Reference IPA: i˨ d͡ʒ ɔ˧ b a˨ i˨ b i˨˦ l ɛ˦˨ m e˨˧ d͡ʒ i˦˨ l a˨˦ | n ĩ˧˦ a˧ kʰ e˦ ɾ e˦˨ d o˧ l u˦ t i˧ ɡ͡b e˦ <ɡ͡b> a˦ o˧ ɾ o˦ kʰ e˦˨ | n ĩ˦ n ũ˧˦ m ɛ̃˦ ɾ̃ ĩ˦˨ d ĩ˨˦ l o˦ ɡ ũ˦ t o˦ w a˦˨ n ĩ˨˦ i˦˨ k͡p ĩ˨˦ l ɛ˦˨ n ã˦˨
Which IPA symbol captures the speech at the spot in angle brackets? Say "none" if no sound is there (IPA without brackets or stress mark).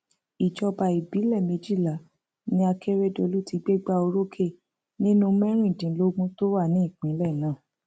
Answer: ɡ͡b